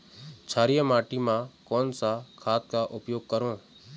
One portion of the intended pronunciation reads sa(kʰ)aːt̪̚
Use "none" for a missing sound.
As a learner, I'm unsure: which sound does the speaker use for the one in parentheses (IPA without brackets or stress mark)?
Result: kʰ